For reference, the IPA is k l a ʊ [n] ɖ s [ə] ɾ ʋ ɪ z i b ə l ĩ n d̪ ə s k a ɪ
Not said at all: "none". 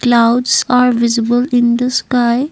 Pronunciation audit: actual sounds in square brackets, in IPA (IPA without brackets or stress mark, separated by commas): none, a